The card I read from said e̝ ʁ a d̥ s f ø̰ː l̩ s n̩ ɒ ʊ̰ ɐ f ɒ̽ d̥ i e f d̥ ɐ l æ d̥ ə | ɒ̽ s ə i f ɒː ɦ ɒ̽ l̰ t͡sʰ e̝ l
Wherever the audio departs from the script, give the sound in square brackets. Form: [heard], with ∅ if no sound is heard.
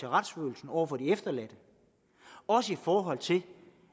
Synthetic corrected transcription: e̝ ʁ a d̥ s f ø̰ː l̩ s n̩ ɒ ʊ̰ ɐ f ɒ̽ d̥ i e f d̥ ɐ l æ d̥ ə | ɒ̽ s ə i f ɒː ɦ ɒ̽ l̰ t͡sʰ e̝ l